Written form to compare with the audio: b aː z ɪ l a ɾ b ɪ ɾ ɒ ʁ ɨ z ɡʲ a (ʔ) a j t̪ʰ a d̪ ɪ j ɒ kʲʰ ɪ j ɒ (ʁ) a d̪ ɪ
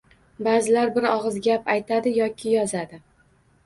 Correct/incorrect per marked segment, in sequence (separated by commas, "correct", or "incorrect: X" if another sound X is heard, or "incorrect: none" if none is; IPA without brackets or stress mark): incorrect: p, incorrect: z